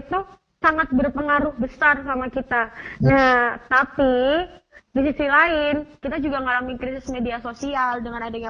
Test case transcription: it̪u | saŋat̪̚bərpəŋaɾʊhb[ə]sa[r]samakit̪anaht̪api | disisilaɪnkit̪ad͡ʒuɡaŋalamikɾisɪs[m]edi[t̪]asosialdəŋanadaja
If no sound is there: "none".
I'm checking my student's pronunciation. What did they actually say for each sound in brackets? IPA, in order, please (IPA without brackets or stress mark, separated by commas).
ə, r, m, none